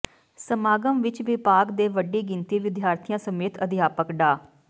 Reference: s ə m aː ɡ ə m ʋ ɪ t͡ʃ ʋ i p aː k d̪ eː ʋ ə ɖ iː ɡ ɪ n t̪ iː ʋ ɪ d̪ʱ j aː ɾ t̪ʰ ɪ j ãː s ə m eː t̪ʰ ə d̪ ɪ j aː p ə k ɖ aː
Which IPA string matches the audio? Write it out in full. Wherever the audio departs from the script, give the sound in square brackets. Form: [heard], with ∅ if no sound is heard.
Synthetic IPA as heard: s ə m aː ɡ ə m ʋ ɪ t͡ʃ ʋ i p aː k d̪ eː ʋ ə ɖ iː ɡ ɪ n t̪ iː ʋ ɪ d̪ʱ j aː ɾ t̪ʰ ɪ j ãː s ə m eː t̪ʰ ə d̪ ɪ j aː p ə k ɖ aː